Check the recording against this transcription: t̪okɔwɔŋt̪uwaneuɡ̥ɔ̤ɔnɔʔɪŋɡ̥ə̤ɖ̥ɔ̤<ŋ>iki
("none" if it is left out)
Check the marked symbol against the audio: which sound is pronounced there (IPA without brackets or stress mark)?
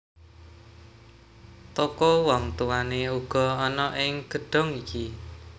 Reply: ŋ